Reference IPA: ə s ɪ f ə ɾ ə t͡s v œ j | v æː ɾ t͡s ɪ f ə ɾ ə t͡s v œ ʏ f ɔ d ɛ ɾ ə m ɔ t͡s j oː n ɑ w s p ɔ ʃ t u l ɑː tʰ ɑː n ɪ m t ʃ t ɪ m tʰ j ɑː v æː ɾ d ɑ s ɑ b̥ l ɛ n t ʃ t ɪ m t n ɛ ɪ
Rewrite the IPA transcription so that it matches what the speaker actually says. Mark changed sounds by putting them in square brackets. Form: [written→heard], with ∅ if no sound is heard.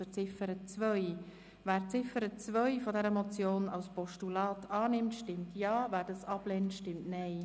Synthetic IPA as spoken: ə [s→t͡s] ɪ f ə ɾ ə t͡s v œ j | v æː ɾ t͡s ɪ f ə ɾ ə t͡s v œ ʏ f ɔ d ɛ ɾ ə m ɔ t͡s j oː n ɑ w s p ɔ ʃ t u l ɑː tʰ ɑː n ɪ m t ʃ t ɪ m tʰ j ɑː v æː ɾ d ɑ s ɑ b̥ l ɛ n t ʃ t ɪ m t n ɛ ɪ

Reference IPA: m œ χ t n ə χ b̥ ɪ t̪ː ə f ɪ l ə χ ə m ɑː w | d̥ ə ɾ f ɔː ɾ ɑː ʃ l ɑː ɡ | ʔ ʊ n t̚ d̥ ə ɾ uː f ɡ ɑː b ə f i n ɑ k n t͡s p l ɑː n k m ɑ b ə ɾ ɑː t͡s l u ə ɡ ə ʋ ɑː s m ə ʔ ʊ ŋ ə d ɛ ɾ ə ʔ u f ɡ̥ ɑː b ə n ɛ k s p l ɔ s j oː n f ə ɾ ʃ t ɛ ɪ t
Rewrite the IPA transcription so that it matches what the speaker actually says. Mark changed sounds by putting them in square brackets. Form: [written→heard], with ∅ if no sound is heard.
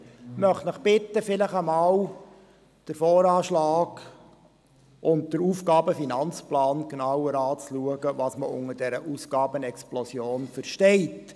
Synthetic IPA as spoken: m œ χ t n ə χ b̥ ɪ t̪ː ə f ɪ l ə χ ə m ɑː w | d̥ ə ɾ f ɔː ɾ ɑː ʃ l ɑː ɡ | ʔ ʊ n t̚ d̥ ə ɾ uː f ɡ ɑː b ə f i n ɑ [k→∅] n t͡s p l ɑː n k [m→n] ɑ [b→w] ə ɾ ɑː t͡s l u ə ɡ ə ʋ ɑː s m ə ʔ ʊ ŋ ə d ɛ ɾ ə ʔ u [f→s] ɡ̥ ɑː b ə n ɛ k s p l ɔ s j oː n f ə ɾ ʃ t ɛ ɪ t

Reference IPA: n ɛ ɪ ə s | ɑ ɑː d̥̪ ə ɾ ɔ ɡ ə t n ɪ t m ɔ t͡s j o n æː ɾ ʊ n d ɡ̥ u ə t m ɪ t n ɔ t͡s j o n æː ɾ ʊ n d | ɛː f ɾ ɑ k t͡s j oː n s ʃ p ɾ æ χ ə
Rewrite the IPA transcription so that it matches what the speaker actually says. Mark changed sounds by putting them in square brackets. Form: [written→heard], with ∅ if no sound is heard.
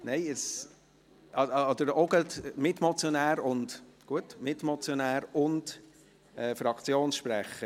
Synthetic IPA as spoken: n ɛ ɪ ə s | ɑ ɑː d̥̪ ə ɾ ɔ ɡ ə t [n→m] ɪ t m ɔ t͡s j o n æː ɾ ʊ n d ɡ̥ u ə t m ɪ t [n→m] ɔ t͡s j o n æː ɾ ʊ n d | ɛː f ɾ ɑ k t͡s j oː n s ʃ p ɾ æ χ ə

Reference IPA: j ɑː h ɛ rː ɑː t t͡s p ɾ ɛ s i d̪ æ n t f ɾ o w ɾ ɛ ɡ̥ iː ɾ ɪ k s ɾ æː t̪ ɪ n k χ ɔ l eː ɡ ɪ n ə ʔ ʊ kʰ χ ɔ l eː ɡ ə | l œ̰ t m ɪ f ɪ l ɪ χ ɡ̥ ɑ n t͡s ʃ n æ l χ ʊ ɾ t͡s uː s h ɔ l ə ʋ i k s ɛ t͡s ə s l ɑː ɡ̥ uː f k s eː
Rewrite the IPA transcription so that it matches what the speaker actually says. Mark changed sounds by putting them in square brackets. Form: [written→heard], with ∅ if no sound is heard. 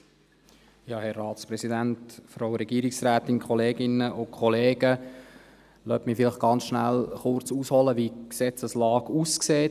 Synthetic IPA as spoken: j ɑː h ɛ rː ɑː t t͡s p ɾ ɛ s i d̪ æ n t f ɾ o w ɾ ɛ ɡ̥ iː ɾ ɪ k s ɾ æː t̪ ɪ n k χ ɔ l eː ɡ ɪ n ə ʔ ʊ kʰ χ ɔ l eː ɡ ə | l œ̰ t m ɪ f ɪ l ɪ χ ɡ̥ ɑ n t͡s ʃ n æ l χ ʊ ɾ t͡s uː s h ɔ l ə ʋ i k s ɛ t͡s ə s l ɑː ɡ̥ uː [f→s] k s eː

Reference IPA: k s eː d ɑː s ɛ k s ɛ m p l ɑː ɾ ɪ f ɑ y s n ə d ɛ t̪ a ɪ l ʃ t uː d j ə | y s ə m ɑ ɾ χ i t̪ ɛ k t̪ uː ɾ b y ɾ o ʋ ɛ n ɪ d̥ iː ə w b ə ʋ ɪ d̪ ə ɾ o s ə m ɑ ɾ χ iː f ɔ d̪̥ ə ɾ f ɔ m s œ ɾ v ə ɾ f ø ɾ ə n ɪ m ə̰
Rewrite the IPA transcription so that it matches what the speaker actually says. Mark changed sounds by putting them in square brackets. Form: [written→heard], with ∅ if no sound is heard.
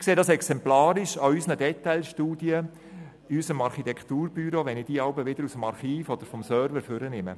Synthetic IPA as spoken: k s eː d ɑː s ɛ k s ɛ m p l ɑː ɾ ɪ [f→ʃ] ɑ y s n ə d ɛ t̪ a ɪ l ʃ t uː d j ə | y s ə m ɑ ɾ χ i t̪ ɛ k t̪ uː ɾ b y ɾ o ʋ ɛ n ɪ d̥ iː [ə→ɑ] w b ə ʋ ɪ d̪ ə ɾ [o→u] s ə m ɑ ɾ χ iː f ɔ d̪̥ ə ɾ f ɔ m s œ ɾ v ə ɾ f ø ɾ ə n ɪ m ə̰

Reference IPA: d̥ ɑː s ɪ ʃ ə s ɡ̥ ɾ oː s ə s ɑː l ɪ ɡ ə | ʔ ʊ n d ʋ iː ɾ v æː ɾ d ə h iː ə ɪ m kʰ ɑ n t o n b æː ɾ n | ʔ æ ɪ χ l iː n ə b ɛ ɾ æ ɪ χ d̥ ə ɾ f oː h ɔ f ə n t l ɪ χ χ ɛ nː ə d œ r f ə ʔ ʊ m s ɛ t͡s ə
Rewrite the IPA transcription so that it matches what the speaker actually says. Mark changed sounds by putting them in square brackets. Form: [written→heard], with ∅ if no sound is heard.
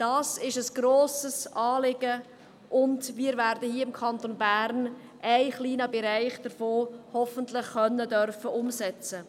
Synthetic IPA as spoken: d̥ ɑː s ɪ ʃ ə s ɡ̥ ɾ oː s ə s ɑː l ɪ ɡ ə | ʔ ʊ n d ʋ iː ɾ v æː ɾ d ə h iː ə ɪ m kʰ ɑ n t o n b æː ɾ n | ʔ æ ɪ χ l iː n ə b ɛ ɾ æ ɪ χ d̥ ə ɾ f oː h ɔ f ə n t l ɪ χ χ [ɛ→œ] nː ə d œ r f ə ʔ ʊ m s ɛ t͡s ə

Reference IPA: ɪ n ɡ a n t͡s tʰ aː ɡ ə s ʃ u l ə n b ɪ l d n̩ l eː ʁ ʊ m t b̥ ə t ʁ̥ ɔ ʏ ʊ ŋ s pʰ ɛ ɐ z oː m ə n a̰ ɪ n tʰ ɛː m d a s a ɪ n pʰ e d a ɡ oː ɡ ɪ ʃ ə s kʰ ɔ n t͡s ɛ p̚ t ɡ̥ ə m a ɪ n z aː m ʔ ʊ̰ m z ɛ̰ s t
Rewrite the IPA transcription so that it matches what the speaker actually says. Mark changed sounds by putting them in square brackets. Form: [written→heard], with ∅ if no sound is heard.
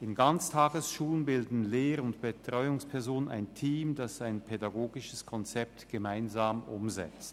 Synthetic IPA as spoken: ɪ n ɡ a n t͡s tʰ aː ɡ ə s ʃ [u→uː] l ə n b ɪ l d n̩ l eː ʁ ʊ [m→n] t b̥ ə t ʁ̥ ɔ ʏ ʊ ŋ s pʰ ɛ ɐ z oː [m→n] ə n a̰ ɪ n tʰ [ɛː→iː] m d a s a ɪ n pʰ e d a ɡ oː ɡ ɪ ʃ ə s kʰ ɔ n t͡s ɛ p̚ t ɡ̥ ə m a ɪ n z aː m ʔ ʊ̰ m z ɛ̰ [s→t͡s] t

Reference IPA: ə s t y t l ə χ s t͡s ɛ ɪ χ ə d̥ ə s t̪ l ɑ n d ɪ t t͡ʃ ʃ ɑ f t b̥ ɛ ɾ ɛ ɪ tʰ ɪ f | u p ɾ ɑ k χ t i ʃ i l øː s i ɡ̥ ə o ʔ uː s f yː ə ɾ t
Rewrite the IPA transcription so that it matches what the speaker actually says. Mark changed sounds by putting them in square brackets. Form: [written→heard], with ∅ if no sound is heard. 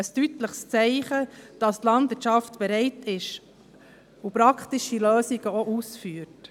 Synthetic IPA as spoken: ə s t y t l ə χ s t͡s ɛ ɪ χ ə d̥ [ə→ɑ] s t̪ l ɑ n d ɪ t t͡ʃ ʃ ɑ f t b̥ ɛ ɾ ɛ ɪ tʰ ɪ [f→ʃ] | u p ɾ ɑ k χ t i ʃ i l øː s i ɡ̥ ə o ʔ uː s f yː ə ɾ t

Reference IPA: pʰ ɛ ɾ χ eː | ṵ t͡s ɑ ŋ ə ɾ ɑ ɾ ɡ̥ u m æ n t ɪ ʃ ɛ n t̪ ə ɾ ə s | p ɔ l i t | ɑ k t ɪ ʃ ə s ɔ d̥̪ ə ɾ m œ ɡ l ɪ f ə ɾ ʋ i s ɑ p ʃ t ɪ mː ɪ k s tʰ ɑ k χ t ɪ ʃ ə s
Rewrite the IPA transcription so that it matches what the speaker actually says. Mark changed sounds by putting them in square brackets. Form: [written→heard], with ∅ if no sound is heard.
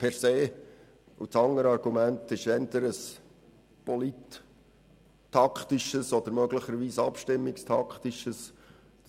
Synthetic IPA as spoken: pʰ ɛ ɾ [χ→s] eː | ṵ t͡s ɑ ŋ ə ɾ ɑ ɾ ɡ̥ u m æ n t ɪ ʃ ɛ n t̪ ə ɾ ə s | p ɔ l i t | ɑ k t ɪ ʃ ə s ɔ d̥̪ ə ɾ m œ ɡ l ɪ [f→χ] ə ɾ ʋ [i→iː] s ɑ p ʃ t ɪ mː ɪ k s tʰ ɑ k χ t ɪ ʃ ə s

